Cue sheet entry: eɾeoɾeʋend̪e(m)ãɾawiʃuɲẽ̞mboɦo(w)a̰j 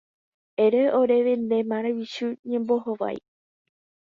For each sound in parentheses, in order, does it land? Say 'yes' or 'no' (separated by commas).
yes, no